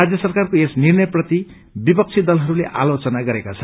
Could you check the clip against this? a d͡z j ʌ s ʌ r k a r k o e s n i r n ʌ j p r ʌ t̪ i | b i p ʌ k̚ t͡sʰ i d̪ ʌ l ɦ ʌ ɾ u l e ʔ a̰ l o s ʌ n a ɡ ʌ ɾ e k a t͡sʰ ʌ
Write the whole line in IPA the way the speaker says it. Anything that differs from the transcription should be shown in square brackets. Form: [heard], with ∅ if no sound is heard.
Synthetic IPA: a d͡z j ʌ s ʌ r k a r k o e s n i r n ʌ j p r ʌ t̪ i | b i p ʌ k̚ t͡sʰ i d̪ ʌ l ɦ ʌ ɾ u l e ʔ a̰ l o [t͡s] ʌ n a ɡ ʌ ɾ e k a t͡sʰ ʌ